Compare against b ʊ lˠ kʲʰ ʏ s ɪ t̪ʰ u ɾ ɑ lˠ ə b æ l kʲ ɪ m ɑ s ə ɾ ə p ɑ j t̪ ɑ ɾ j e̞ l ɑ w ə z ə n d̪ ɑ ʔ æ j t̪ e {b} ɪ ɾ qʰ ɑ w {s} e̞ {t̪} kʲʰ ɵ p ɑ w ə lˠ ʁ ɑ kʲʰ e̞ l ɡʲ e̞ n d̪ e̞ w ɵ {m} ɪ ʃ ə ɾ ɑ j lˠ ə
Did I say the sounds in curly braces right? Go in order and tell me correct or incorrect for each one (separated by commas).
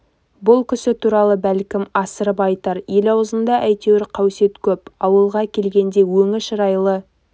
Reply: incorrect, correct, correct, incorrect